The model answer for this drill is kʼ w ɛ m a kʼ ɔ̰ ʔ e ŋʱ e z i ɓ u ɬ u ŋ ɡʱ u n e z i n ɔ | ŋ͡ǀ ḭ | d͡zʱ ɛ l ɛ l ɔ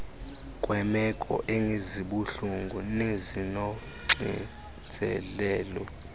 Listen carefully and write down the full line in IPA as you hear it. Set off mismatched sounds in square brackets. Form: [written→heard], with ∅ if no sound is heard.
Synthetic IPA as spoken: kʼ w ɛ m [a→ɛ] kʼ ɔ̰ ʔ e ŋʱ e z i ɓ u ɬ u ŋ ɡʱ u n e z i n ɔ | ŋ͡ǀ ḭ | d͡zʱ ɛ l [ɛ→ɛː] l ɔ